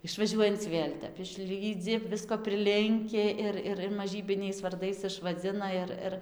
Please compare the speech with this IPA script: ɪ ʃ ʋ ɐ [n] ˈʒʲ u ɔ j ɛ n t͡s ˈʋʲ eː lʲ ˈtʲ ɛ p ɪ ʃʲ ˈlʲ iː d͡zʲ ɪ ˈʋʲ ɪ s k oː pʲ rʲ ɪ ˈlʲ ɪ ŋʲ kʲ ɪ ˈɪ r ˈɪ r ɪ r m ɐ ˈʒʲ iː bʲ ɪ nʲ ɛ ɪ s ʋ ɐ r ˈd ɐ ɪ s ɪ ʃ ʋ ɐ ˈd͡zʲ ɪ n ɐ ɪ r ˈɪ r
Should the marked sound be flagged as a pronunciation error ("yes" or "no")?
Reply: yes